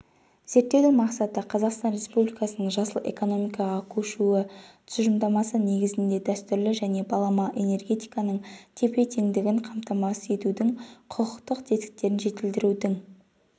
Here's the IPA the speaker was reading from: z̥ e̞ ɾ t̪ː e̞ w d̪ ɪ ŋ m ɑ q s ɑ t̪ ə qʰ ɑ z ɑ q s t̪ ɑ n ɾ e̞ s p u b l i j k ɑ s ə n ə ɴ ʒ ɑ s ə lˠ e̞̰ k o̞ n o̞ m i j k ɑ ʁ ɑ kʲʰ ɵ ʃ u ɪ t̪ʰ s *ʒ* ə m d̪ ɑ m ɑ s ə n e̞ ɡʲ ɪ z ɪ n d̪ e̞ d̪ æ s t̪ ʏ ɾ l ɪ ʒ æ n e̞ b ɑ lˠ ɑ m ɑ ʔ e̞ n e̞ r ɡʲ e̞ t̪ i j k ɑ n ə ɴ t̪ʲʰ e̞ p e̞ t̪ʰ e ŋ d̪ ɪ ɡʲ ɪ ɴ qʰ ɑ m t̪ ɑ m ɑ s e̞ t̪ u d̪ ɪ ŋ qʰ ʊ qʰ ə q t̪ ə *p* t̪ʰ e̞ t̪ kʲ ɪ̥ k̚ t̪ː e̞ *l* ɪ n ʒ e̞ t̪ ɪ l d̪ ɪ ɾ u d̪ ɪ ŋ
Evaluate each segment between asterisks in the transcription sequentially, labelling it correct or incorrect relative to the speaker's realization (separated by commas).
correct, incorrect, incorrect